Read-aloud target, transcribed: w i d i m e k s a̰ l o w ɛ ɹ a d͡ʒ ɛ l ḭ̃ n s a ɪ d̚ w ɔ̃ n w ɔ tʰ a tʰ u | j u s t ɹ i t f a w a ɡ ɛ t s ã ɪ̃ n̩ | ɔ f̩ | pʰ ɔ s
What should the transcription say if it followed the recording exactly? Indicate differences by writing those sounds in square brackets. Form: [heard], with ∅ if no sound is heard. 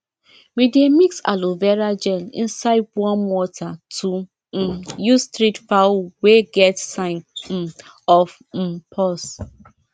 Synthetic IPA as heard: w i d [e] m [i] k s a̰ l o [v] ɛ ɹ a d͡ʒ ɛ l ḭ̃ n s a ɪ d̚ w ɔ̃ n w ɔ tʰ a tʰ u | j u s t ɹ i t f a w [e] ɡ ɛ t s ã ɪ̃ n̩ | ɔ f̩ | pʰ ɔ s